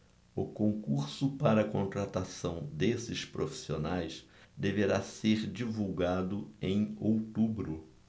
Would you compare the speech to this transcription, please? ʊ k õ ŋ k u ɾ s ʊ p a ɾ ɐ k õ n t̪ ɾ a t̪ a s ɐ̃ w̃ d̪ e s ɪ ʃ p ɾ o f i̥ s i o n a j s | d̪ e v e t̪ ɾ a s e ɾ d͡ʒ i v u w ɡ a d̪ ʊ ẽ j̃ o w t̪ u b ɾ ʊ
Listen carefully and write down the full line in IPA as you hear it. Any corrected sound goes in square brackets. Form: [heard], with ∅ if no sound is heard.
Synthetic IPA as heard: ʊ k õ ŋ k u ɾ s ʊ p a ɾ ɐ k õ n t̪ ɾ a t̪ a s ɐ̃ w̃ d̪ e s ɪ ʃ p ɾ o f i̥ s i o n a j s | d̪ e v e [∅] ɾ a s e ɾ d͡ʒ i v u w ɡ a d̪ ʊ ẽ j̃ o w t̪ u b ɾ ʊ